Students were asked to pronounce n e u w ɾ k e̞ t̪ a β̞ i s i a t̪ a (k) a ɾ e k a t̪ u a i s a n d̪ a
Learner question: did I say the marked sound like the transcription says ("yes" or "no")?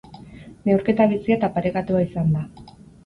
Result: no